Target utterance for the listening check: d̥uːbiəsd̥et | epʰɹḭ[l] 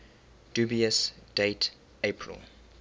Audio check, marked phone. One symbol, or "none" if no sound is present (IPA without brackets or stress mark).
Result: l